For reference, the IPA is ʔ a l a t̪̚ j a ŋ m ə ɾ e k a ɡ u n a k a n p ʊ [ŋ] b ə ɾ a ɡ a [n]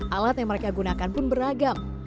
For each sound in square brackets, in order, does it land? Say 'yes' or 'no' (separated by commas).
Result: no, no